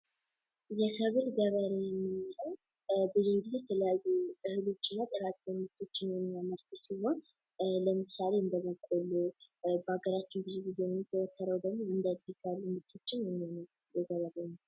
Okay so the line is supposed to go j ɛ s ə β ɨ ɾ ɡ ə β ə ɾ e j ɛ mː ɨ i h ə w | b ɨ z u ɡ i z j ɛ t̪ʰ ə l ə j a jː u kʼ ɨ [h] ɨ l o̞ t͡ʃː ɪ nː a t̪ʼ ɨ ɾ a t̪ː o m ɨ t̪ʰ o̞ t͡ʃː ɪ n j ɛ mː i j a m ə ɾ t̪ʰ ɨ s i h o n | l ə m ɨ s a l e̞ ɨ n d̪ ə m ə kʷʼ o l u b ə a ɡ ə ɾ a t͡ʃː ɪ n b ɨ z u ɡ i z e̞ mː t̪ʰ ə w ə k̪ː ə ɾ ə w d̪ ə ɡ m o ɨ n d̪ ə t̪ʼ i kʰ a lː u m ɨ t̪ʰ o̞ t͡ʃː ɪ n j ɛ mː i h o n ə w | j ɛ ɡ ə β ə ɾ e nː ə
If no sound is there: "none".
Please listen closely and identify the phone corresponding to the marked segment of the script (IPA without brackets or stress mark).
h